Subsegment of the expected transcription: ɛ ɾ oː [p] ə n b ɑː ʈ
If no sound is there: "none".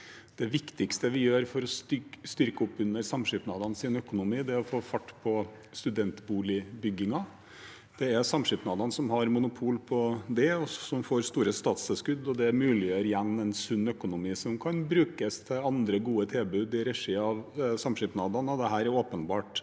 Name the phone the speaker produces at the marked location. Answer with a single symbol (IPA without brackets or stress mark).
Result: p